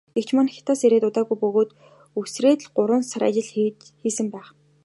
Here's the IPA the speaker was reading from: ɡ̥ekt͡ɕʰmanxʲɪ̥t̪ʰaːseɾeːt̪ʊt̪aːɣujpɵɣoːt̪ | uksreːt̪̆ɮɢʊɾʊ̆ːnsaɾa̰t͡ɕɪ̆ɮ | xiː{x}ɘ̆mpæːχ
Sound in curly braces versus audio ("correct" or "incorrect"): incorrect